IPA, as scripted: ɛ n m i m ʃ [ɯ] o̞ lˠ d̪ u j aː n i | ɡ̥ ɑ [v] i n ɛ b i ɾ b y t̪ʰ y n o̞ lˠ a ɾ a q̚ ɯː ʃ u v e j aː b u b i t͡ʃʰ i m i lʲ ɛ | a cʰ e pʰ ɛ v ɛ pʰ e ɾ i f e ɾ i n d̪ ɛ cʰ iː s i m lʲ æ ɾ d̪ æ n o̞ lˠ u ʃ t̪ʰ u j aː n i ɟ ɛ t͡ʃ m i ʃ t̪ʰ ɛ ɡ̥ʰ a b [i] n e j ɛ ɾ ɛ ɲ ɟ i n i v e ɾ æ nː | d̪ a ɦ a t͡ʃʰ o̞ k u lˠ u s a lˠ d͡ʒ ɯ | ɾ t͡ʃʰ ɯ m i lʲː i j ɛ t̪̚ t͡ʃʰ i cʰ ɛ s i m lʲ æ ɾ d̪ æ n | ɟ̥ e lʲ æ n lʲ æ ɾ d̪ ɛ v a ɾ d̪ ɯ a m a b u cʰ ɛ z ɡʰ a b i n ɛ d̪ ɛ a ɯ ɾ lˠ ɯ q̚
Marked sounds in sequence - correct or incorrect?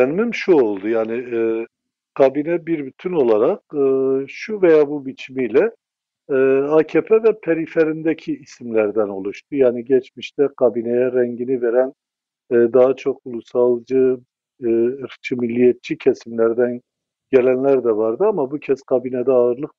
incorrect, incorrect, correct

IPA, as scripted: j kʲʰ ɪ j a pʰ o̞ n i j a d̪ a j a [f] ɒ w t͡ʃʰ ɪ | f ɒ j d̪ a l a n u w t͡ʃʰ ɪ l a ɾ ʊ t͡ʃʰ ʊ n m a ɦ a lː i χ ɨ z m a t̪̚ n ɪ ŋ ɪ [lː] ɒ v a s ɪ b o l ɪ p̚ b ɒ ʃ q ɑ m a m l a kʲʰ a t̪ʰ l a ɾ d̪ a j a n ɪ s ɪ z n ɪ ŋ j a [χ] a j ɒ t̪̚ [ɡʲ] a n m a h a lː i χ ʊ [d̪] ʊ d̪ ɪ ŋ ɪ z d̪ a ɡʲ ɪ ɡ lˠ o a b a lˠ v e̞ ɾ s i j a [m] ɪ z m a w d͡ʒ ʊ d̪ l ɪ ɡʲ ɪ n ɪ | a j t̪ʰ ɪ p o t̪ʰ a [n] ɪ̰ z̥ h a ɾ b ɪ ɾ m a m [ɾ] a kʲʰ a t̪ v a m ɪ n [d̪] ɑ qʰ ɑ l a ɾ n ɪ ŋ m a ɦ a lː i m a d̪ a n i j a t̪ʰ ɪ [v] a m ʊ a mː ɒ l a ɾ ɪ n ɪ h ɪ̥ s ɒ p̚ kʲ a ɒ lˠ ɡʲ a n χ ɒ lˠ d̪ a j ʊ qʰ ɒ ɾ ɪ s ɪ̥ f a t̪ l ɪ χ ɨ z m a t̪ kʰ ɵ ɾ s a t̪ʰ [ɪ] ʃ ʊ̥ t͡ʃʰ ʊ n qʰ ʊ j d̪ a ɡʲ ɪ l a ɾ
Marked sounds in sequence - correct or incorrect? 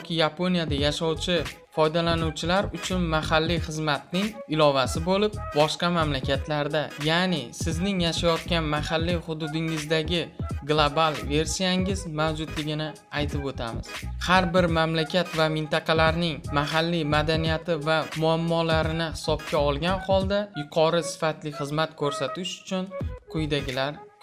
incorrect, incorrect, incorrect, incorrect, correct, incorrect, incorrect, incorrect, incorrect, correct, correct

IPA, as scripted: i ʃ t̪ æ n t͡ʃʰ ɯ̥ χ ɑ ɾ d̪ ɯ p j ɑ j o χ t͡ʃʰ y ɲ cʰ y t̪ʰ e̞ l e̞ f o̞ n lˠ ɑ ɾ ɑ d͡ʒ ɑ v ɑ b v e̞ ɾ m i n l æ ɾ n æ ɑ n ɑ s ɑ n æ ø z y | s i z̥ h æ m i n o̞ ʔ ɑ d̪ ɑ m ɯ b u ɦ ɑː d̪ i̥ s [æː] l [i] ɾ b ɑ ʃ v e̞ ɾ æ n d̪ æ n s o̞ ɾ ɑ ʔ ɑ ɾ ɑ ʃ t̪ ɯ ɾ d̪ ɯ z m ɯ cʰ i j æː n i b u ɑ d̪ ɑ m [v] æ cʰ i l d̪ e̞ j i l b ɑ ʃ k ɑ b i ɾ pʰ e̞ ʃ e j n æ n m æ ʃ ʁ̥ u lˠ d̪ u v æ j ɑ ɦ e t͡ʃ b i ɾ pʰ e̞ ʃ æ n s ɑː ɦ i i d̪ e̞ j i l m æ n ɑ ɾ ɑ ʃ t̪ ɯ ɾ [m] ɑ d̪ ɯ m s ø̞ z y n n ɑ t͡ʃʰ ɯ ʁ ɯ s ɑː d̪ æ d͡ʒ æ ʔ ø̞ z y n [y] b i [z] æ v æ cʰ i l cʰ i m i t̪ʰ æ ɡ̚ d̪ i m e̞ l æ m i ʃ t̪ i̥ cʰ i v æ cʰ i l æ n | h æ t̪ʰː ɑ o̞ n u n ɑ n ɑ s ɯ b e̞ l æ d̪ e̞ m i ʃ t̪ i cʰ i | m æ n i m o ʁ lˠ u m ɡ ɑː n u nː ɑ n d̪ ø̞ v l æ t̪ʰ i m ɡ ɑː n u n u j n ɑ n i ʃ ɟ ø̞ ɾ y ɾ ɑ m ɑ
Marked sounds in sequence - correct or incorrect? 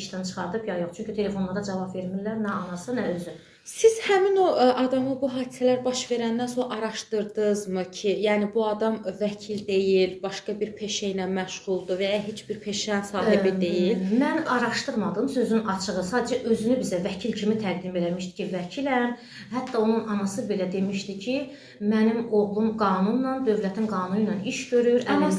incorrect, incorrect, correct, correct, correct, correct

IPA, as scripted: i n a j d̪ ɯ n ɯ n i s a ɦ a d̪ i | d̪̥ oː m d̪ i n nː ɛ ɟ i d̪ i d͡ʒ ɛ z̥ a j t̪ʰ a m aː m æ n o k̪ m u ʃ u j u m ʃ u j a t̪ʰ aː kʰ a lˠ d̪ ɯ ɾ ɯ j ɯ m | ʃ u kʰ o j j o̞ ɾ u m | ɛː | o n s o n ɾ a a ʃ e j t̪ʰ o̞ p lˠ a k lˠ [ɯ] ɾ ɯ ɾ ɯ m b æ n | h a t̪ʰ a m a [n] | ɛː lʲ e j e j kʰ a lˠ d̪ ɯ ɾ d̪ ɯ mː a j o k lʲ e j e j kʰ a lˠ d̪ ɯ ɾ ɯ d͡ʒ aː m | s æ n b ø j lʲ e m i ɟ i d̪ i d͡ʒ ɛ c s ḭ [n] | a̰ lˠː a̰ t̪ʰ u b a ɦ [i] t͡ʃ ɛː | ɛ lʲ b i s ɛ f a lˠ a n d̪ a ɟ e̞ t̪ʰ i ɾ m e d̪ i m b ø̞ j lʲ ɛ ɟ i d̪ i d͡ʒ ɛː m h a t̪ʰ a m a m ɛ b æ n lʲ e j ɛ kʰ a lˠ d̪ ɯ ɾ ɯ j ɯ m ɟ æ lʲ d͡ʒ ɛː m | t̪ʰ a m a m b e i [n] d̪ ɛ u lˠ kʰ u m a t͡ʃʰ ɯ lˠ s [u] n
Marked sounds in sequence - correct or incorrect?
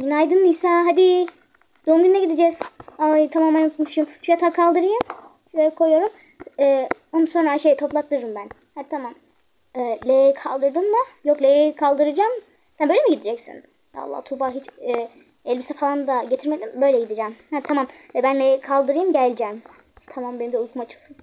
correct, incorrect, correct, correct, incorrect, incorrect

